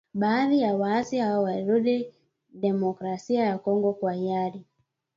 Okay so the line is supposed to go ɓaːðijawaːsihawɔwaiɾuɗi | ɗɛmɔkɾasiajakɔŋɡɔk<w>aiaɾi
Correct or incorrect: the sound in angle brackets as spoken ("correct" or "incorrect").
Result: correct